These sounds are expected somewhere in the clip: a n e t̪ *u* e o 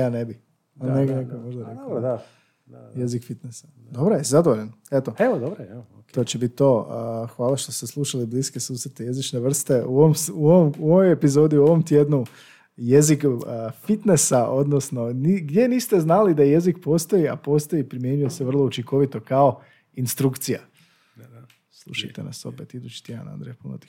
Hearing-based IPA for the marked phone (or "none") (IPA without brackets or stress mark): o